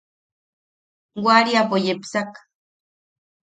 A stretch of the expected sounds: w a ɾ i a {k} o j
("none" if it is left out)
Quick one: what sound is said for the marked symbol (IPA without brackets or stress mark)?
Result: p